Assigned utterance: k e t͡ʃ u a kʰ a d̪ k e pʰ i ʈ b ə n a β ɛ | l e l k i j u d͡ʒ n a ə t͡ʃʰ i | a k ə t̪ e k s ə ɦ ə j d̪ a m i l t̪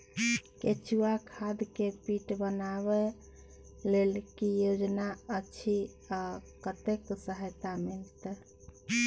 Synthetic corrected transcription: k e t͡ʃ u a kʰ a d̪ k e p i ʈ b ə n a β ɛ | l e l k i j o d͡ʒ n a ə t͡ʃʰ i | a k ə t̪ e k s ə ɦ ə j t̪ a m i l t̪